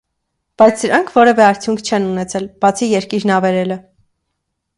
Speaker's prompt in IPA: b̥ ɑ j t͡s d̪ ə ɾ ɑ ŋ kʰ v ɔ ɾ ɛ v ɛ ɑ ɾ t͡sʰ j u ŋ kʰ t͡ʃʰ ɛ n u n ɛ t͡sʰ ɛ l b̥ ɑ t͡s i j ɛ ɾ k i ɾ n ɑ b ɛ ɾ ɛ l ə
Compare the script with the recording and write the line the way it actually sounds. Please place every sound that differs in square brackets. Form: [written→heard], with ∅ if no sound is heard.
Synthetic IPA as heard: b̥ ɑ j [t͡s→t͡sʰ] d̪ ə ɾ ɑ ŋ kʰ v ɔ ɾ ɛ v ɛ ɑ ɾ t͡sʰ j u ŋ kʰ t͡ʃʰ ɛ n u n ɛ t͡sʰ ɛ l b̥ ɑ [t͡s→t͡sʰ] i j ɛ ɾ k i ɾ n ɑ [b→v] ɛ ɾ ɛ l ə

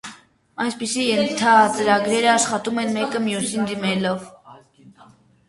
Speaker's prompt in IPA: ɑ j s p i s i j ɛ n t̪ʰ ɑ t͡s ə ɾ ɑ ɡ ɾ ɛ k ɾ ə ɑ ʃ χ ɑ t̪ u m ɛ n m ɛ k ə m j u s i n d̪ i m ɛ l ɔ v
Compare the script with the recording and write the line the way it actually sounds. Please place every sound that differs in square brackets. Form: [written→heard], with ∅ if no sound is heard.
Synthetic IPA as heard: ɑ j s p i s i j ɛ n t̪ʰ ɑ t͡s ə ɾ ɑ ɡ ɾ ɛ [k→∅] ɾ ə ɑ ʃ χ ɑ t̪ u m ɛ n m ɛ k ə m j u s i n d̪ i m ɛ l ɔ v

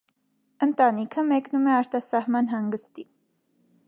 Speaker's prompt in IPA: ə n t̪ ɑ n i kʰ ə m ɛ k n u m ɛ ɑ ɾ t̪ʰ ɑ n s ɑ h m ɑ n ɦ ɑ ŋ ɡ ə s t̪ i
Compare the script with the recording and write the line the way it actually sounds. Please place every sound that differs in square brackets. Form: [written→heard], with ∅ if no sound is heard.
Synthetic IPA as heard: ə n t̪ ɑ n i kʰ ə m ɛ k n u m ɛ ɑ ɾ [t̪ʰ→t̪] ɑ [n→∅] s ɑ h m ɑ n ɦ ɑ ŋ ɡ ə s t̪ i

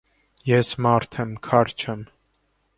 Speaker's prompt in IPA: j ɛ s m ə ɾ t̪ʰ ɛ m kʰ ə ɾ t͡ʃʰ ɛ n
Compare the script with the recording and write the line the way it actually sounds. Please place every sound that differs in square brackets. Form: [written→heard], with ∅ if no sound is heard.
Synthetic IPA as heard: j ɛ s m [ə→ɑ] ɾ t̪ʰ ɛ m kʰ [ə→ɑ] ɾ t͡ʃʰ ɛ [n→m]

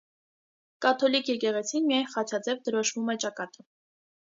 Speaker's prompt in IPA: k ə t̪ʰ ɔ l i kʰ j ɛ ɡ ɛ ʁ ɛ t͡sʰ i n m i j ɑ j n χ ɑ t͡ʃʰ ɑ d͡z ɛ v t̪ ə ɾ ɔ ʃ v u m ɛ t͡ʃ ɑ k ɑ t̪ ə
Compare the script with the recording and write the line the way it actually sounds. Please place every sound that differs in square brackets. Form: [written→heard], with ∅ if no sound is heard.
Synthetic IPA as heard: k [ə→ɑ] t̪ʰ ɔ l i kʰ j ɛ [ɡ→k] ɛ ʁ ɛ t͡sʰ i n m i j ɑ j n χ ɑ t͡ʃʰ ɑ d͡z ɛ v [t̪→d̪] ə ɾ ɔ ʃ v u m ɛ t͡ʃ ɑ k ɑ t̪ ə

